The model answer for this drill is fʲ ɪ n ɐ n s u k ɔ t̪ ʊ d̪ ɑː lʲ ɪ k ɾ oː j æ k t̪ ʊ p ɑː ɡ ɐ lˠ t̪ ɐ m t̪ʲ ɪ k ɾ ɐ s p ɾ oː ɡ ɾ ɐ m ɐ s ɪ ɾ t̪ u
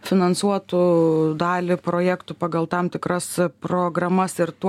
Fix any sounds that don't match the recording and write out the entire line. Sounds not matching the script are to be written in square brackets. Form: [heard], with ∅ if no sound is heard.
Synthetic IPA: fʲ ɪ n ɐ n s u [∅] ɔ t̪ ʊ d̪ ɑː lʲ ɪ [p] ɾ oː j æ k t̪ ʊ p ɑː ɡ ɐ lˠ t̪ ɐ m t̪ʲ ɪ k ɾ ɐ s p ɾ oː ɡ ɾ ɐ m ɐ s ɪ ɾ t̪ u